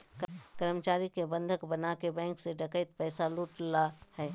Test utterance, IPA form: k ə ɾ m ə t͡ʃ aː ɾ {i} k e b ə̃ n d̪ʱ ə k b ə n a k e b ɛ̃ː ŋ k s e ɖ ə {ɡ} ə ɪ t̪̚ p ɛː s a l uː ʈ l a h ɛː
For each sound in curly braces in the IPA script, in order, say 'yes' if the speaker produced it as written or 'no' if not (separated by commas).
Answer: yes, no